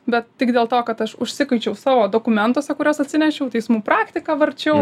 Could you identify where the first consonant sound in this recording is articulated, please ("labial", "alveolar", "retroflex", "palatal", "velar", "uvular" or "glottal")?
labial